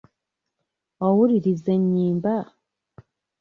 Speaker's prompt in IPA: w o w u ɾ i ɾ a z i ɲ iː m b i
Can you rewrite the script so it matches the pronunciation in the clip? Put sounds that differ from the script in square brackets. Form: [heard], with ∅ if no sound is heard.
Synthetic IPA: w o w u ɾ i ɾ [i] z [e] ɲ iː m b [a]

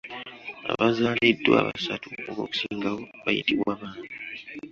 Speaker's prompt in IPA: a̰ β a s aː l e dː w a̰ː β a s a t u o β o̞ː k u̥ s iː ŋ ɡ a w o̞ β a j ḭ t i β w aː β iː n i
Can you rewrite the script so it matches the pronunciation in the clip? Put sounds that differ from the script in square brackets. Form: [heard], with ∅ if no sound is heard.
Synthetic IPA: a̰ β a [z] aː l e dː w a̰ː β a s a t u o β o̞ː k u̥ s iː ŋ ɡ a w o̞ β a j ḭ t i β w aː β [aː] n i

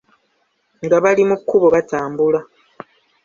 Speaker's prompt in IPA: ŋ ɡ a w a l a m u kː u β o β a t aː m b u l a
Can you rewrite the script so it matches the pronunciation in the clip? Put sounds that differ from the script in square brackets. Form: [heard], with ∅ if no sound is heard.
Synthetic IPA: ŋ ɡ a [β] a l [i] m u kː u β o β a t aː m b u l a

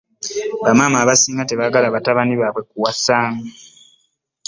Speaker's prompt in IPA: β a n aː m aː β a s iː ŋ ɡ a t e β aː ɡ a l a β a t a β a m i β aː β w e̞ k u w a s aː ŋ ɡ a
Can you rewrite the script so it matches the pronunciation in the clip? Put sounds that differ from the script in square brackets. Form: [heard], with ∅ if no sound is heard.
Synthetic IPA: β a [m] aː m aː β a s iː ŋ ɡ a t e β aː ɡ a l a β a t a β a [n] i β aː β w e̞ k u w a s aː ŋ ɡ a

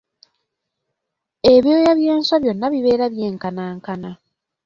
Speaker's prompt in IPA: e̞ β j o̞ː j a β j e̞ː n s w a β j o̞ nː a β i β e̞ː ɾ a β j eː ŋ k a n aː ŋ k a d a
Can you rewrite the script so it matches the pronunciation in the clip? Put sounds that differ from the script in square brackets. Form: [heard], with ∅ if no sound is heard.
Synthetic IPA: e̞ β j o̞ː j a β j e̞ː n s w a β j o̞ nː a β i β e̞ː ɾ a β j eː ŋ k a n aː ŋ k a [n] a

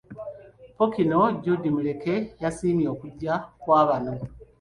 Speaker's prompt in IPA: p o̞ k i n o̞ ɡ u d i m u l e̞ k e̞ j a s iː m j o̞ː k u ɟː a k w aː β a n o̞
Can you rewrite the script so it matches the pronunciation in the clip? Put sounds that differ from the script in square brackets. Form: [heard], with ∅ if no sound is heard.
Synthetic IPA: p o̞ k i n o̞ [ɟ] u d i m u l e̞ k e̞ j a s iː m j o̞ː k u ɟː a k w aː β a n o̞

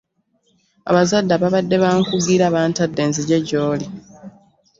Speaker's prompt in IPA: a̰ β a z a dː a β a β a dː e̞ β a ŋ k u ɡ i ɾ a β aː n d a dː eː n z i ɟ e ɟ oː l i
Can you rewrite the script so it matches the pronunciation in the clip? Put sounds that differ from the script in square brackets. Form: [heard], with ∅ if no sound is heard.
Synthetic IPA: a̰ β a z a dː a β a β a dː e̞ β a ŋ k u ɡ i ɾ a β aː n [t] a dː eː n z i ɟ e ɟ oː l i

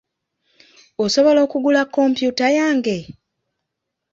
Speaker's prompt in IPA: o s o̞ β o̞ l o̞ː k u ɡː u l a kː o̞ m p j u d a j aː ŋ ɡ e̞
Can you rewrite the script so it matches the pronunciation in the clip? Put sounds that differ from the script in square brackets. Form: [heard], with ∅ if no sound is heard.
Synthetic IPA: o s o̞ β o̞ l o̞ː k u [ɡ] u l a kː o̞ m p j u [t] a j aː ŋ ɡ e̞

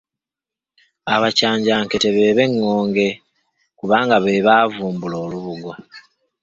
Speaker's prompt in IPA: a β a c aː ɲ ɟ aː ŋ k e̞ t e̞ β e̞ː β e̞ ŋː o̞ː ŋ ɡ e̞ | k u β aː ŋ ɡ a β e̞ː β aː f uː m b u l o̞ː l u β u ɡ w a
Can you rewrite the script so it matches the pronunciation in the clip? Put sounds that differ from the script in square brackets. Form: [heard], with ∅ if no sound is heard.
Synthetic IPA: a β a c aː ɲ ɟ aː ŋ k e̞ t e̞ β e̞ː β e̞ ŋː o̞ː ŋ ɡ e̞ | k u β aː ŋ ɡ a β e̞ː β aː [v] uː m b u l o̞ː l u β u ɡ w a

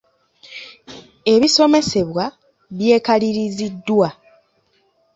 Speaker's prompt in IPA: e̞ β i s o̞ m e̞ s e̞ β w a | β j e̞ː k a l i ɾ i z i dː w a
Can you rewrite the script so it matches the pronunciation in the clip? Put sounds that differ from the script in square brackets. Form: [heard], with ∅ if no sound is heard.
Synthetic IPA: e̞ β i s o̞ m e̞ s e̞ β w a | β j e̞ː k a l i ɾ i z i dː w a

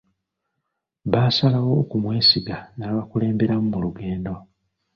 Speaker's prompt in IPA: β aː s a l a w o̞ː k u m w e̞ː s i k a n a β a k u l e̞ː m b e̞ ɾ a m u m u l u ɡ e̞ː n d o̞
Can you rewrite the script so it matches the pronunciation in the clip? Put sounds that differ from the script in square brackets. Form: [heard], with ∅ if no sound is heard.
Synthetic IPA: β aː s a l a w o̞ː k u m w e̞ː s i [ɡ] a n a β a k u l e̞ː m b e̞ ɾ a m u m u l u ɡ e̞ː n d o̞

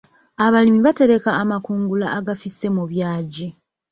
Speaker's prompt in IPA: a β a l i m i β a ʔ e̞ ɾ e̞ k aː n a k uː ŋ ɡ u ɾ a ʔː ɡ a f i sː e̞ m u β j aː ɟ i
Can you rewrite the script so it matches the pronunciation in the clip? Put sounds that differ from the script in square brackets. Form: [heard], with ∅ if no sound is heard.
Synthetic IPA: a β a l i m i β a [t] e̞ ɾ e̞ k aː [m] a k uː ŋ ɡ u [l] a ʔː ɡ a f i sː e̞ m u β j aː ɟ i

